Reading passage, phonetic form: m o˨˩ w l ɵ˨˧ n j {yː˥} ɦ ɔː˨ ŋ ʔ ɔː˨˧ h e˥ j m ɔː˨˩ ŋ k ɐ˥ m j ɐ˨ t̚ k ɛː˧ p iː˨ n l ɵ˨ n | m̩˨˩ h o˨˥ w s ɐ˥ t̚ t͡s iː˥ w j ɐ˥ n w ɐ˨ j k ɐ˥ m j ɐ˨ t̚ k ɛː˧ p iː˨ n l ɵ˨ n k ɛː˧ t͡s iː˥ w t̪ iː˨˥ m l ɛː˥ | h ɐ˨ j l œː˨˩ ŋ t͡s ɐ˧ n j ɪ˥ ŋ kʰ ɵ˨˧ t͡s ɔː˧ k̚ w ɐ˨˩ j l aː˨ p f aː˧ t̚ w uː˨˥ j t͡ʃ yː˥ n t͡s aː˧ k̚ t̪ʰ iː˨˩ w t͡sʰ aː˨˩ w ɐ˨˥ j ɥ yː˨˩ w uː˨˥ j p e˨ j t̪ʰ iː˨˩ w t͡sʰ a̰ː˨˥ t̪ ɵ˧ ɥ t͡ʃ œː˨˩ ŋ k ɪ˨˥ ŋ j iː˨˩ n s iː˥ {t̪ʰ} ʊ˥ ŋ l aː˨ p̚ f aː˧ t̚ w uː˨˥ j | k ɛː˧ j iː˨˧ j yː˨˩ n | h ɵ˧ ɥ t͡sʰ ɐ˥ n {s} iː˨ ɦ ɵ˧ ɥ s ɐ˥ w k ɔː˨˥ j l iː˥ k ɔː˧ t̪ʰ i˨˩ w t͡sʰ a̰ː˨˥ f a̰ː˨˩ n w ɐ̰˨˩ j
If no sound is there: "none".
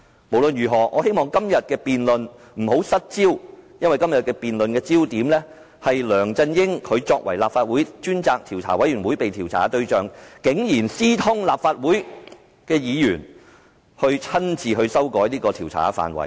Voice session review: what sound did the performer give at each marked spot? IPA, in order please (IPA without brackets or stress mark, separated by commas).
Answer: yː˨˩, t̪ʰ, t͡s